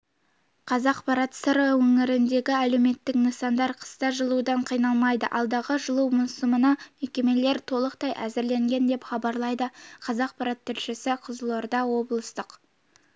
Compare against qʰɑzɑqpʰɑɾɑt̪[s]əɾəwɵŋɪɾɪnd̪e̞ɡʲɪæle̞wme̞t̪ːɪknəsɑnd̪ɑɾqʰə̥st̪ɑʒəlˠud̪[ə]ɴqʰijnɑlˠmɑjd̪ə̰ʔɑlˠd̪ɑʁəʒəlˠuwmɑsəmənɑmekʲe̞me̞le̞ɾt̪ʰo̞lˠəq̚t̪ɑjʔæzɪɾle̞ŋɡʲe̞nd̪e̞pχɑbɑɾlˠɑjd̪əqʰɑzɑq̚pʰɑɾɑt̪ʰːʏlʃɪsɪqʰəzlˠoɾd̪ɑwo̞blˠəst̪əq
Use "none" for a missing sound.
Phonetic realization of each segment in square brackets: s, ɑ

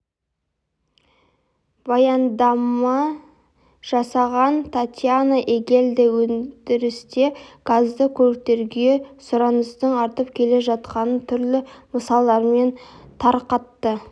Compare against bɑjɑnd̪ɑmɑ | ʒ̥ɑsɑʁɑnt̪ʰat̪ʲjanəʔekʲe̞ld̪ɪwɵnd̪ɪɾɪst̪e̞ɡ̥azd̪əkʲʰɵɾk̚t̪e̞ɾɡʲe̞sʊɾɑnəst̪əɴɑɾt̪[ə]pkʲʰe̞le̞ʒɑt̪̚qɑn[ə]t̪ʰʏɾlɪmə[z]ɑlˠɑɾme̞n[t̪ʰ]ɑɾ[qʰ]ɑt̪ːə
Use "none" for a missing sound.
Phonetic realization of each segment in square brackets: ə, ə, s, t̪ʰ, q

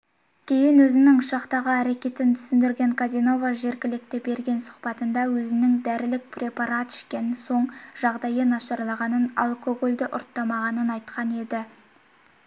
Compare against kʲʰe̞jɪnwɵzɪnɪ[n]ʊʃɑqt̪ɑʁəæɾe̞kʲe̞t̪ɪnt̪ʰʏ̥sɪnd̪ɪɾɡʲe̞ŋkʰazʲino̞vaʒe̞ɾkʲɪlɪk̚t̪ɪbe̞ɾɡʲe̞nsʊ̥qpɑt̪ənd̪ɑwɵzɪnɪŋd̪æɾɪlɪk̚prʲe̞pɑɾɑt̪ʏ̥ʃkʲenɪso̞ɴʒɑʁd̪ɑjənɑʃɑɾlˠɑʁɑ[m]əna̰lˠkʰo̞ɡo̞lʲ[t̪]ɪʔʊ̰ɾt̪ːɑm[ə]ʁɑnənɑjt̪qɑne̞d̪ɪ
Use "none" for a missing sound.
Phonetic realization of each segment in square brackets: ŋ, n, d̪, ɑ

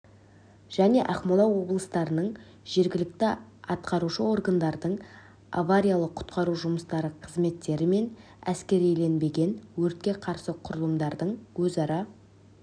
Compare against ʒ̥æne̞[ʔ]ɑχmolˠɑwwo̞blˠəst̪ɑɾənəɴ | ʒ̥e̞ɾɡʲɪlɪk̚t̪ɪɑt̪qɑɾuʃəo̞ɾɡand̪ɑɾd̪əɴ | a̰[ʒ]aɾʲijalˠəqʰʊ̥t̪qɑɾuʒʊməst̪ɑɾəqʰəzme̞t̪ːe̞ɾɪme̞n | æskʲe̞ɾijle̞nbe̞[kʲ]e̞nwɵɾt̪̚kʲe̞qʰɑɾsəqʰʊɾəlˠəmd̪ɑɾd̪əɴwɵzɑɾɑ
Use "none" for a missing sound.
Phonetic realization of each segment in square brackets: ʔ, v, ɡʲ

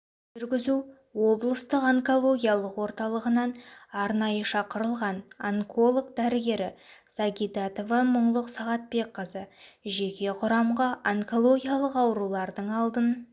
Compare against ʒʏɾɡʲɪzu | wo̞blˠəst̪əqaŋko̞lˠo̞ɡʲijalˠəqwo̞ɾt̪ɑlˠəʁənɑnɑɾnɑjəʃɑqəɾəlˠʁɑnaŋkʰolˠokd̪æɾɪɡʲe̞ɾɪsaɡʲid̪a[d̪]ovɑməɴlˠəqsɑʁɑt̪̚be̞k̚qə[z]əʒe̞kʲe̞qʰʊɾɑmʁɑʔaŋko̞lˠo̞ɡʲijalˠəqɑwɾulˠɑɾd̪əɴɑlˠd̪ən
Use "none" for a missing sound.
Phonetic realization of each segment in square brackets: t̪, z

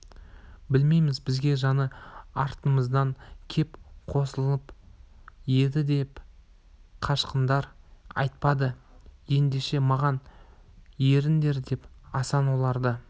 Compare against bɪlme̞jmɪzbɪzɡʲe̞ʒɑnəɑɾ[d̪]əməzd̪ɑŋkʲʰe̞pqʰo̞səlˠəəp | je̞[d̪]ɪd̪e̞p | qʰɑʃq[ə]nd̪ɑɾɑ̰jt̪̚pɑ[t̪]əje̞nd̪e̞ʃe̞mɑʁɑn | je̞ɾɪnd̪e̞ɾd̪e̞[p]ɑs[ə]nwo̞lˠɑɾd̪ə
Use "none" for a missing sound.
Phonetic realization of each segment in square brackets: t̪, d̪, ə, d̪, p, ɑ

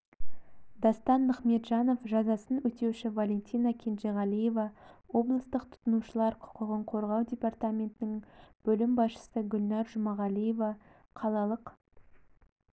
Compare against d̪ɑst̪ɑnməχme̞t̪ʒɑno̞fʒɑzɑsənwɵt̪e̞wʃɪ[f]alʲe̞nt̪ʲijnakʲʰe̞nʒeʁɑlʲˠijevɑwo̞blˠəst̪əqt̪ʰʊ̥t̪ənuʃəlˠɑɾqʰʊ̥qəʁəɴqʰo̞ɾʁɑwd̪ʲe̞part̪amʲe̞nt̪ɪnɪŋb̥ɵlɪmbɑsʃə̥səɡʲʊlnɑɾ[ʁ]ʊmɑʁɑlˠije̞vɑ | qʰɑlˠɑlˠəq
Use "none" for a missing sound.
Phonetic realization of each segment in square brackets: v, ʒ

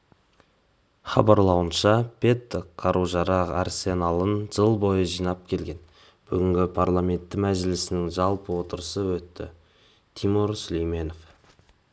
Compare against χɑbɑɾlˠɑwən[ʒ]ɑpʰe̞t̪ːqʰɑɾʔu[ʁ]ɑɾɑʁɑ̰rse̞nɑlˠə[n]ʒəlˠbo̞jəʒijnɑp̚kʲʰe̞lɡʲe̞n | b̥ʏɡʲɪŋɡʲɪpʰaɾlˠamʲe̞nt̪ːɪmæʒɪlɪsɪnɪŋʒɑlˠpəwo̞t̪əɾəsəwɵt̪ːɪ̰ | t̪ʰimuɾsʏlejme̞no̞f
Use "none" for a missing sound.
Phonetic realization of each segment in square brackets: ʃ, ʒ, n

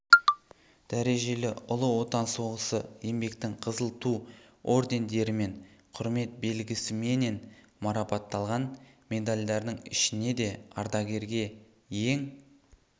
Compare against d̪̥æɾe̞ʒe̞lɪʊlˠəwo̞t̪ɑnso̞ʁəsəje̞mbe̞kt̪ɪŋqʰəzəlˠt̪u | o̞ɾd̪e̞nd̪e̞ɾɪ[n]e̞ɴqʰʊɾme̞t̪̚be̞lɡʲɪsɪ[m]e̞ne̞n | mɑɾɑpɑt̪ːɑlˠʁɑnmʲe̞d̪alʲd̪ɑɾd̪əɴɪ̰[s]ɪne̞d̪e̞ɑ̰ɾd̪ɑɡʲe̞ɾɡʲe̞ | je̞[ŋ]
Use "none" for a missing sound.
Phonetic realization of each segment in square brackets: m, m, ʃ, ŋ

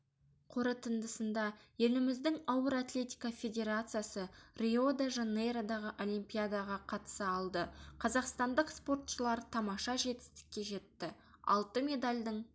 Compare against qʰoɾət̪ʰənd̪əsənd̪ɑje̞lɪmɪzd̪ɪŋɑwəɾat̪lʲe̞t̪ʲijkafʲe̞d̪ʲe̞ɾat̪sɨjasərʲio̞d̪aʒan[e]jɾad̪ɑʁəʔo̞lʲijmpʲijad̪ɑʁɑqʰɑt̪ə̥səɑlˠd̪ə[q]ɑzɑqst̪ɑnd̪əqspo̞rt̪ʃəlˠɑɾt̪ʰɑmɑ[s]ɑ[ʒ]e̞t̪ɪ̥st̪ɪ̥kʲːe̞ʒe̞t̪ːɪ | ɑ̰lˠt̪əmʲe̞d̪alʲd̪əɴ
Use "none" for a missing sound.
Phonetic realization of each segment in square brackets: e, qʰ, ʃ, ʒ

